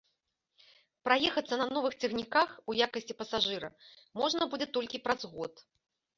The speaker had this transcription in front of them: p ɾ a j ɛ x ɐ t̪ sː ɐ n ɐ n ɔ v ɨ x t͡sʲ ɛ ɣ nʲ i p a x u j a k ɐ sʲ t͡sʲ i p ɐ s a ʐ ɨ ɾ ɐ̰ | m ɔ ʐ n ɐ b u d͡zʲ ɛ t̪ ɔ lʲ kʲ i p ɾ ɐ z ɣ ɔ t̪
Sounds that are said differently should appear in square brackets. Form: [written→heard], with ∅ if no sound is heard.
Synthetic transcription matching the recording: p ɾ a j ɛ x ɐ t̪ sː ɐ n ɐ n ɔ v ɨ x t͡sʲ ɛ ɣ nʲ i [p→k] a x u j a k ɐ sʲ t͡sʲ i p ɐ s a ʐ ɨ ɾ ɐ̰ | m ɔ ʐ n ɐ b u d͡zʲ ɛ t̪ ɔ lʲ kʲ i p ɾ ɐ z ɣ ɔ t̪